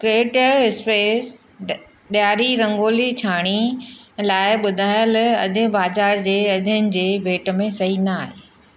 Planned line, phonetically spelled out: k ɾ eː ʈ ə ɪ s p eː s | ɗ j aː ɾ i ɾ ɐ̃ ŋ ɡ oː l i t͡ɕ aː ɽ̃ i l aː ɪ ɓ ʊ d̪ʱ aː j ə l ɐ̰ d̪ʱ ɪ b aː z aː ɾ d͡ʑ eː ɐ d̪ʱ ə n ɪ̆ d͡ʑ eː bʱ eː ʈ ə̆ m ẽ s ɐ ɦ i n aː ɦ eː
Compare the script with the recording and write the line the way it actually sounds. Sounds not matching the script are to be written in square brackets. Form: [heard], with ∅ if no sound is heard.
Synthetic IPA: k ɾ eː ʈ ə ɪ s p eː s | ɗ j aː ɾ i ɾ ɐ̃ ŋ ɡ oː l i [t͡ɕʰ] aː ɽ̃ i l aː ɪ ɓ ʊ d̪ʱ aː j ə l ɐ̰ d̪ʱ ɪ b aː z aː ɾ d͡ʑ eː ɐ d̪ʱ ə n ɪ̆ d͡ʑ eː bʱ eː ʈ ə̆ m ẽ s ɐ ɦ i n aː ɦ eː